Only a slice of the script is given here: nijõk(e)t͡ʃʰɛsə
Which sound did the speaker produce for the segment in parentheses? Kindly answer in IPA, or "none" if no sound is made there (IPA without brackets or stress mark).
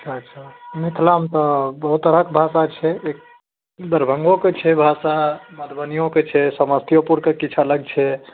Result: e